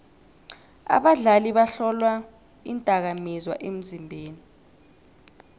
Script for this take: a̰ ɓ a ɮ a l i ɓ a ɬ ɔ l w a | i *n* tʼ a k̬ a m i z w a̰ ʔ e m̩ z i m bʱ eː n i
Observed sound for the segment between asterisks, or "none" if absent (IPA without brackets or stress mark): n